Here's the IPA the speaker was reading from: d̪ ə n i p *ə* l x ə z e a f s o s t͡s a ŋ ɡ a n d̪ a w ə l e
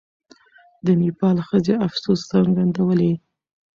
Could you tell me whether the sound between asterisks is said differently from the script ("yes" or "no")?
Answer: yes